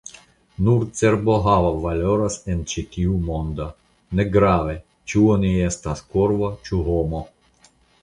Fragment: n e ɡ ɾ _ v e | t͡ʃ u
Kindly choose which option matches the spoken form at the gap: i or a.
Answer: a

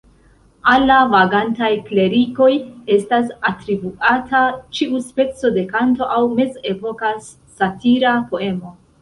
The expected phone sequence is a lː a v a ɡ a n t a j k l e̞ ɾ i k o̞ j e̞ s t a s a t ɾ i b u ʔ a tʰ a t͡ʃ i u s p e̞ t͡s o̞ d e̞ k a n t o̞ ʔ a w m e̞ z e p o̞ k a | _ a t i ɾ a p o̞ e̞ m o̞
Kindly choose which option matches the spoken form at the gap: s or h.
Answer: s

